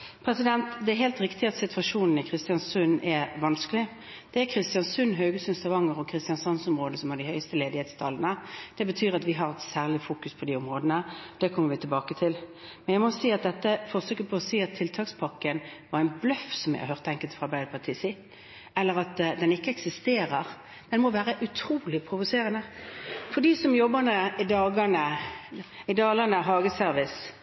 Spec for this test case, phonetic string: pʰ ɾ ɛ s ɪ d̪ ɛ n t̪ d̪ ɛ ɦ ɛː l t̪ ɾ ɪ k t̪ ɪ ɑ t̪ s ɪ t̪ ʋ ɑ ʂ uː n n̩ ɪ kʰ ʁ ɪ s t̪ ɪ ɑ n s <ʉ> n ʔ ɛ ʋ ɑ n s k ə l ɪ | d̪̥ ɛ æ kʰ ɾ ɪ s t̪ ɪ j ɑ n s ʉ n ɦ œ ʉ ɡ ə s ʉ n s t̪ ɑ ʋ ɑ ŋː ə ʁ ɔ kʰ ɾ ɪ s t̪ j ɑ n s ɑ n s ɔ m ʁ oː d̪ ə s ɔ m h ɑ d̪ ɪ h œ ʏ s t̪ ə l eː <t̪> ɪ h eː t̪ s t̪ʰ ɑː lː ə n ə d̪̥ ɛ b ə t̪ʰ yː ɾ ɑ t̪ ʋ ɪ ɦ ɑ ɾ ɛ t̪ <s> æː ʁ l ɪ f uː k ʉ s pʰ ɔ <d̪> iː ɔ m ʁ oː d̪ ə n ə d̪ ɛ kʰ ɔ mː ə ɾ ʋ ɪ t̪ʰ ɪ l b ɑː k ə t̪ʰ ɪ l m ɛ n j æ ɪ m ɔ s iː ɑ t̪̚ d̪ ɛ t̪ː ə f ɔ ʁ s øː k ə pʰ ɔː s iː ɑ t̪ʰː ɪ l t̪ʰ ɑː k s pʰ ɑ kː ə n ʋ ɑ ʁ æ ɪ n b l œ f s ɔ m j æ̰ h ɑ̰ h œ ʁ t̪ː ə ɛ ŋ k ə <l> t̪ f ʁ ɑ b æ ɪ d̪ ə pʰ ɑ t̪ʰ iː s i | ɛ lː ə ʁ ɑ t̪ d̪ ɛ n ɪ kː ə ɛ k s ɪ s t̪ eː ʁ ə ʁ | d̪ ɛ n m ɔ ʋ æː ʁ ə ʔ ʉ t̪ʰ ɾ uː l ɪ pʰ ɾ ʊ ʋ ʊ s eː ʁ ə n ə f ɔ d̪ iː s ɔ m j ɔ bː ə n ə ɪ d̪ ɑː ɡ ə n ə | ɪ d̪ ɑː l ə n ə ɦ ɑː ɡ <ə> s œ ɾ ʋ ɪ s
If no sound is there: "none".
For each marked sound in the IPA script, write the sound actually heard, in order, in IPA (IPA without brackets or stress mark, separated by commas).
ʉ, d̪, s, d̪, l, ə